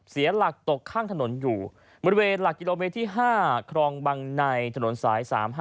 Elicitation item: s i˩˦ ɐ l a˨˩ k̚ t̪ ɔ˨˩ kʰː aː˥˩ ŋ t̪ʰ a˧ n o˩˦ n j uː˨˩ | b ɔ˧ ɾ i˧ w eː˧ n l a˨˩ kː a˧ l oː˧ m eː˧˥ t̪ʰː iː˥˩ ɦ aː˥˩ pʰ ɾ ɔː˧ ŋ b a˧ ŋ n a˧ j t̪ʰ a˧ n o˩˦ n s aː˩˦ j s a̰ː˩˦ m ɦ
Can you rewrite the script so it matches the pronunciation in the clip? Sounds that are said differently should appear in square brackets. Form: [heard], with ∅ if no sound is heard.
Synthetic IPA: s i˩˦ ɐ l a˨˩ k̚ t̪ [o˨˩] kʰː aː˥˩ ŋ t̪ʰ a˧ n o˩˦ n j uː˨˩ | b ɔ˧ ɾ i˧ w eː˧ n l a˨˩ kː [i˧] l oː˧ m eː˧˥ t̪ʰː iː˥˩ ɦ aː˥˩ [kʰ] ɾ ɔː˧ ŋ b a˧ ŋ n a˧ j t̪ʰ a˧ n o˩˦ n s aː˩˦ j s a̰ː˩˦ m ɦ